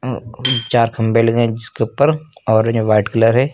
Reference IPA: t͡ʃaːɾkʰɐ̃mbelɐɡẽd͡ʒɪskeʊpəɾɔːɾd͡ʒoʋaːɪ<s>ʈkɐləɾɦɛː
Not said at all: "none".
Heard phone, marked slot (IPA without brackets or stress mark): none